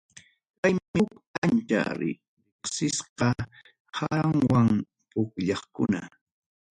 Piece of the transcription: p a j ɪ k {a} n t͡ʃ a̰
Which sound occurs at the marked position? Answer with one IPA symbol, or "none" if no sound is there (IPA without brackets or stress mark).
a